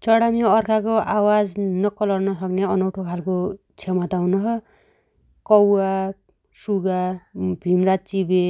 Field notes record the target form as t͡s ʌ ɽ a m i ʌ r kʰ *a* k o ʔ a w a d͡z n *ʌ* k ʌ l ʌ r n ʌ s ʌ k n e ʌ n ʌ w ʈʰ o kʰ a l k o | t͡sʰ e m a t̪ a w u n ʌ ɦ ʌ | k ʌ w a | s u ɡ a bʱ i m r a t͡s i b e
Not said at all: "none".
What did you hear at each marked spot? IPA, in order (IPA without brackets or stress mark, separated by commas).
a, ʌ